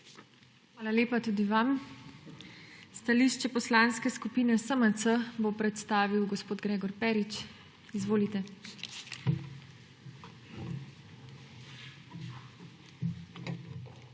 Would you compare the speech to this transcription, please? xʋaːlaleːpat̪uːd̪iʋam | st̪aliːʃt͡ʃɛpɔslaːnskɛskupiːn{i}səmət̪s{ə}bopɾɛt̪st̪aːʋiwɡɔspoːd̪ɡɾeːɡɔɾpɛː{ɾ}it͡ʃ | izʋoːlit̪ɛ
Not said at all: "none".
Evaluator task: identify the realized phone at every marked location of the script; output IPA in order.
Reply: ɛ, ə, ɾ

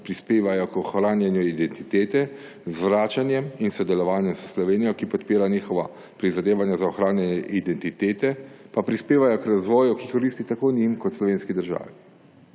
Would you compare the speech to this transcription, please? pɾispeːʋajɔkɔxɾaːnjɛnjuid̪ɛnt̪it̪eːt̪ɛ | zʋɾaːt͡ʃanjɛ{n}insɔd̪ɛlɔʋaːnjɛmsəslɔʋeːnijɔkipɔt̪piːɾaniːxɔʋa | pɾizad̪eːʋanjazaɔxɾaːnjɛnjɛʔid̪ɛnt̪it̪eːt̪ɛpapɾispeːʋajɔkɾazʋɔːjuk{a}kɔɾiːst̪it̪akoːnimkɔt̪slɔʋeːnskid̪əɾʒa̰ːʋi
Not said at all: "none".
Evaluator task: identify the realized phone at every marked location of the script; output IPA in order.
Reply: m, i

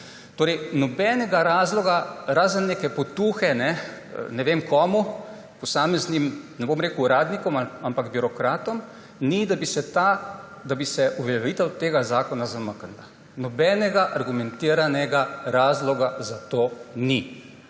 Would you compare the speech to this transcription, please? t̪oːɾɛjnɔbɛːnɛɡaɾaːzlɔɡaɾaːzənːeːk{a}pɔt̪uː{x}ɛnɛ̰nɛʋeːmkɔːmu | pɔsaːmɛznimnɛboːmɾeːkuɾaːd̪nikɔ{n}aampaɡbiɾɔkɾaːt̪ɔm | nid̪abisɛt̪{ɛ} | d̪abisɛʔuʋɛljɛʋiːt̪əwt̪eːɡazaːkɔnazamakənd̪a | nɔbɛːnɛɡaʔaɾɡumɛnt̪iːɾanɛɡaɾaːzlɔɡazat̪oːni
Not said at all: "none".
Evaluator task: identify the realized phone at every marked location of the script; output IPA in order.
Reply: ɛ, x, m, a

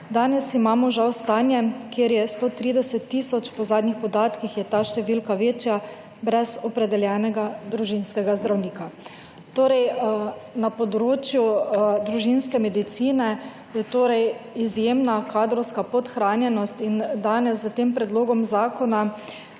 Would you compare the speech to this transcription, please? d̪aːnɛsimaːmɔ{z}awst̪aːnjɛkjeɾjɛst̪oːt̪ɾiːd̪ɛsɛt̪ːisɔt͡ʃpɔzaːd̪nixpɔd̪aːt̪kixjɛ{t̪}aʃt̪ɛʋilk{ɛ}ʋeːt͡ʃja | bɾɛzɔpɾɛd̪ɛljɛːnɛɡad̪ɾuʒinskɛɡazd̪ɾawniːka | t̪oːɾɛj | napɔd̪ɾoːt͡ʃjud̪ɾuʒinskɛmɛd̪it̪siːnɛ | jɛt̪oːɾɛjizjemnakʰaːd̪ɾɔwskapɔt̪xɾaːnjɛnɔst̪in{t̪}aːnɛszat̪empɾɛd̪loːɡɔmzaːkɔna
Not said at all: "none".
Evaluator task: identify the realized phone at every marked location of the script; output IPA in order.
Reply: ʒ, t̪, a, d̪

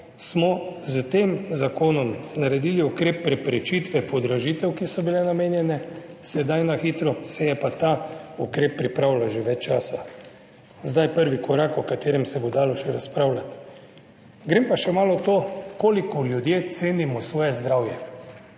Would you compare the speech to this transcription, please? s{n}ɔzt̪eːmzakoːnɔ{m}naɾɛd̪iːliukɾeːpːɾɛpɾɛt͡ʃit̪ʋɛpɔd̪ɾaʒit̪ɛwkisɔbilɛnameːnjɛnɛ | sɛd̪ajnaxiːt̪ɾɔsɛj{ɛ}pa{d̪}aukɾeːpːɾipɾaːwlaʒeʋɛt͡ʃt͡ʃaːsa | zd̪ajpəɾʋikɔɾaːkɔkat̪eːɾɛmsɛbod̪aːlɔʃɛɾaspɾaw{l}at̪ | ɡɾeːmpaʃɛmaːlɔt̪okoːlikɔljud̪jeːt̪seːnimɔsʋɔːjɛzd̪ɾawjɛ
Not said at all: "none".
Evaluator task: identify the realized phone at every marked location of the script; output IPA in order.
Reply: m, m, ɛ, t̪, l

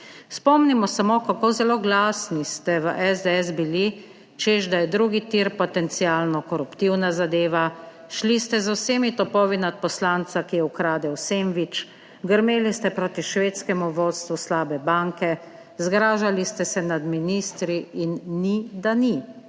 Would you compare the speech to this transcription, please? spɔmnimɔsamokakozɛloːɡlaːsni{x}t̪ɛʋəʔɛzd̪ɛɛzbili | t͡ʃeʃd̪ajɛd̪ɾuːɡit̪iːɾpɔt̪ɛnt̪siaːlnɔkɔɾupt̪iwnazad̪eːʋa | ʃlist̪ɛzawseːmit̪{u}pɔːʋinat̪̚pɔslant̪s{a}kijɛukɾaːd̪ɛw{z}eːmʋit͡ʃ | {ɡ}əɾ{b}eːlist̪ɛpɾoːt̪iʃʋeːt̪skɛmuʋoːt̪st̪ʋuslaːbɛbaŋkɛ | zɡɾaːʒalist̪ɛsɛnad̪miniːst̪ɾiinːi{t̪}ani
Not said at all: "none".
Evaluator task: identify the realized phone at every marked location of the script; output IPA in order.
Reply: s, ɔ, a, s, ɡ, m, d̪

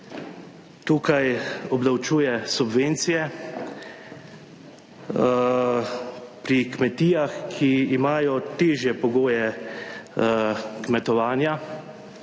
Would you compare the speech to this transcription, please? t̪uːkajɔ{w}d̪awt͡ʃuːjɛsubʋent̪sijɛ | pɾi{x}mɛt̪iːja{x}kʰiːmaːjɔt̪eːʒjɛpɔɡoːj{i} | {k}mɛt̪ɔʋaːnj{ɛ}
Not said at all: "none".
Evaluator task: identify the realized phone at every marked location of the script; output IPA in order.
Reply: b, k, x, ɛ, k, a

